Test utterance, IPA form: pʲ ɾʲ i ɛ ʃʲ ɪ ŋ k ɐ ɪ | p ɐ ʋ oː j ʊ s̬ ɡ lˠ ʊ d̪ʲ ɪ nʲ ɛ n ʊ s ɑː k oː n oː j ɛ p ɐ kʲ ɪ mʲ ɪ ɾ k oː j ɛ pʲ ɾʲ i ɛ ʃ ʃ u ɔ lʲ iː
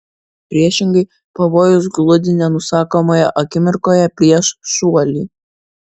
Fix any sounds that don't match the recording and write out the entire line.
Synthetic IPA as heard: pʲ ɾʲ i ɛ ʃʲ ɪ ŋ ɡ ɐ ɪ | p ɐ ʋ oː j ʊ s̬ ɡ lˠ ʊ d̪ʲ ɪ nʲ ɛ n ʊ s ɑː k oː m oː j ɛ ʔ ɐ kʲ ɪ mʲ ɪ ɾ k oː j ɛ pʲ ɾʲ i ɛ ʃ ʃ u ɔ lʲ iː